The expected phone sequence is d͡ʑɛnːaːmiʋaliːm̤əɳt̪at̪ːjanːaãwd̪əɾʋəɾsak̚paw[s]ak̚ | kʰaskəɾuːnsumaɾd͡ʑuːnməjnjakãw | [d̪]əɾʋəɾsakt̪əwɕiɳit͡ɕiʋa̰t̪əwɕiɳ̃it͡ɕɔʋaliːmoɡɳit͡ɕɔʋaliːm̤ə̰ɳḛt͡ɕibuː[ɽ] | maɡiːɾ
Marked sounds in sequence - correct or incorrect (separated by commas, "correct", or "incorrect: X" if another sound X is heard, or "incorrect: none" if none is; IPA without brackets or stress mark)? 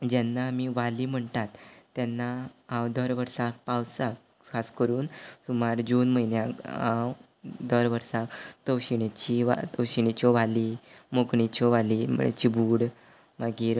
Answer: correct, correct, correct